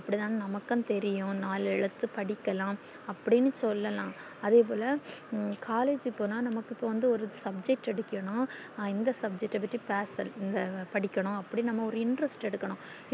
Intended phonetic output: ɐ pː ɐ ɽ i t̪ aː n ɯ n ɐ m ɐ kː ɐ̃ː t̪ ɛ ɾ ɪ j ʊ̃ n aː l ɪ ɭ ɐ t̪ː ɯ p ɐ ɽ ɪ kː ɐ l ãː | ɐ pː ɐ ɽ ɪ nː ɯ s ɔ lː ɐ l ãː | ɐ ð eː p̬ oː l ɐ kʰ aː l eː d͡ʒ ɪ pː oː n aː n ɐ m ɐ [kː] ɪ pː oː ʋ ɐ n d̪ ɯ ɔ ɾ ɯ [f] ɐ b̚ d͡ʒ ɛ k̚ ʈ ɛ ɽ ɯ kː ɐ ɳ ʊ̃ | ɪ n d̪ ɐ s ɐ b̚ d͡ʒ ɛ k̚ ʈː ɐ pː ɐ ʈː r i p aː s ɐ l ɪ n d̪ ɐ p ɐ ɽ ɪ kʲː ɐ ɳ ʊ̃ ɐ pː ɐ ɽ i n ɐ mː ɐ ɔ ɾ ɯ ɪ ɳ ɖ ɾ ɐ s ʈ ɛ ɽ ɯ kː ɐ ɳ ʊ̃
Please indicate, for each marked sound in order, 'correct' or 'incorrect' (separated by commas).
correct, incorrect